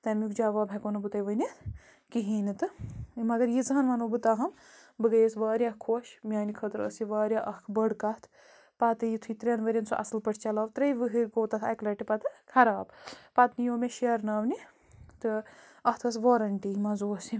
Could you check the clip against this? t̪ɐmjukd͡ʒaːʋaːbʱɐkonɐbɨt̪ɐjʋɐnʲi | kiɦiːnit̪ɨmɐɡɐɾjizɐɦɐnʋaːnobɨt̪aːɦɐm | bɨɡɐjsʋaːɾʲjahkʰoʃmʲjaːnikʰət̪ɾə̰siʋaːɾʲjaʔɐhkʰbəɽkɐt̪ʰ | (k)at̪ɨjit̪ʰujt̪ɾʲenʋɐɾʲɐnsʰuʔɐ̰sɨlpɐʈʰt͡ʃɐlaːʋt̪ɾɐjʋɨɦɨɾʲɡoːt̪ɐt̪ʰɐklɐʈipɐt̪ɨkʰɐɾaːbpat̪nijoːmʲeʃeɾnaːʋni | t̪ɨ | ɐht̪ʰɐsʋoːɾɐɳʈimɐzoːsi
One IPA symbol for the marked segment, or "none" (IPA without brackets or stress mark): p